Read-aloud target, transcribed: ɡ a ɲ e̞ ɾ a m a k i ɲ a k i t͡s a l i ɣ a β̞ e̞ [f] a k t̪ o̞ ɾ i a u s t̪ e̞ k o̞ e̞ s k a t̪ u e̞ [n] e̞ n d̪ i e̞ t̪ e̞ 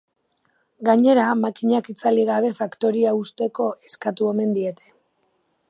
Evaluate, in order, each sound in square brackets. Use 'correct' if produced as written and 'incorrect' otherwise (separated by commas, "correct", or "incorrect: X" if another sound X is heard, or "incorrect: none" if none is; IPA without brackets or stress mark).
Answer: correct, incorrect: m